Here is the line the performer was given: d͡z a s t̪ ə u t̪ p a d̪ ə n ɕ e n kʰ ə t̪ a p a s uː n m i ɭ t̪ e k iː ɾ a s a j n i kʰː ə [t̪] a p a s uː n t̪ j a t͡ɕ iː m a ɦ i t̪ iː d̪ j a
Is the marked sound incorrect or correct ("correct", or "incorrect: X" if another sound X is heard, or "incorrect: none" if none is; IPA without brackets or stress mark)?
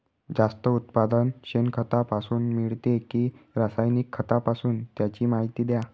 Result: correct